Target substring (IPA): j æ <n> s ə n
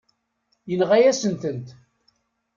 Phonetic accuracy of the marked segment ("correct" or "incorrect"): incorrect